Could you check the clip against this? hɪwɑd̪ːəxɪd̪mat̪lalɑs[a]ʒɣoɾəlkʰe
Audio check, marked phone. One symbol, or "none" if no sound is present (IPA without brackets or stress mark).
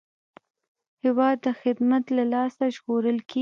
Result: a